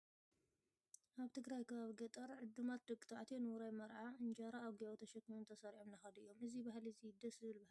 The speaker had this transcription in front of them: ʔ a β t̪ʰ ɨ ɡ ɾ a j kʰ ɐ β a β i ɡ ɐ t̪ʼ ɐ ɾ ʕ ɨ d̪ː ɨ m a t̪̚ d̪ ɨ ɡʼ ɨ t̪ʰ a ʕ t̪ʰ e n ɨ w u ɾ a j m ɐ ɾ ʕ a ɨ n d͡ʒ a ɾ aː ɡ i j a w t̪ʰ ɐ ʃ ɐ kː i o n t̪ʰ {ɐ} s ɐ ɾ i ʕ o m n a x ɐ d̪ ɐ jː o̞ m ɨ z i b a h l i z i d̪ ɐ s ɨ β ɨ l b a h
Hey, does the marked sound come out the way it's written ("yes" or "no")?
yes